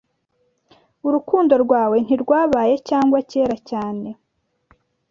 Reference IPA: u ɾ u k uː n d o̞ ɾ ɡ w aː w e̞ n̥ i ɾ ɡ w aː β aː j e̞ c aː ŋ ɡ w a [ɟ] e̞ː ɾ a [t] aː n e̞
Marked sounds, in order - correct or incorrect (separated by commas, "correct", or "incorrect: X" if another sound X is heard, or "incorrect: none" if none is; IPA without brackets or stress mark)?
incorrect: c, incorrect: c